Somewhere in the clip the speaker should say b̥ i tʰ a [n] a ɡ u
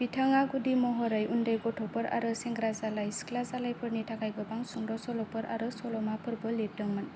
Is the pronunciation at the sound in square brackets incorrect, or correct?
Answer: incorrect